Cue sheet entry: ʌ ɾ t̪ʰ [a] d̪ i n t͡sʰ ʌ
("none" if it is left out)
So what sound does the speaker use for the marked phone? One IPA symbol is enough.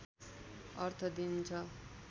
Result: ʌ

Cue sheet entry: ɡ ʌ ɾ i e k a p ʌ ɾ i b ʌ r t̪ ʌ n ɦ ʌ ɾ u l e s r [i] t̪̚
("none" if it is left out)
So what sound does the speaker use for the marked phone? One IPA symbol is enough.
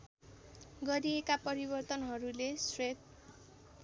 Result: e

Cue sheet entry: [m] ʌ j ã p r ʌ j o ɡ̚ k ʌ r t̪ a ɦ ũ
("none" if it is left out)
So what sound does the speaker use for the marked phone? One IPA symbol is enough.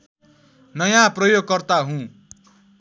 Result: n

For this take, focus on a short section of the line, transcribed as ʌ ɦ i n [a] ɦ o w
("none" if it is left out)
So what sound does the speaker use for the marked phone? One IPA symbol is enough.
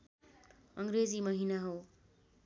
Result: a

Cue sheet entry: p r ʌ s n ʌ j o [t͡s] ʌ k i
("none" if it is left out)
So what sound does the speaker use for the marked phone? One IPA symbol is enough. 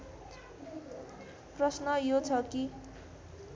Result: t͡sʰ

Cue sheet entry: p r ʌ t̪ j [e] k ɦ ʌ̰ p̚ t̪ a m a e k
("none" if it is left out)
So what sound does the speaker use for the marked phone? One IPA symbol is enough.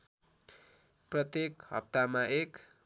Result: e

